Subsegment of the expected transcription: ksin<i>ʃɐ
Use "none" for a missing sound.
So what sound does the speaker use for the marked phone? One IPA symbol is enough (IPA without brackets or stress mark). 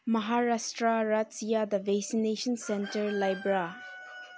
e